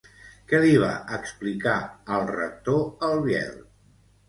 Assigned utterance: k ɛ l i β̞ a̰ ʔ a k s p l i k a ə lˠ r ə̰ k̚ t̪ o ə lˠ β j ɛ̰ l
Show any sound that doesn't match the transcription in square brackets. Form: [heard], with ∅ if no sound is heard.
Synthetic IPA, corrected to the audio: k ɛ l i β̞ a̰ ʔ [ə] k s p l i k a ə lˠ r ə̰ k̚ t̪ o ə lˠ β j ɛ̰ l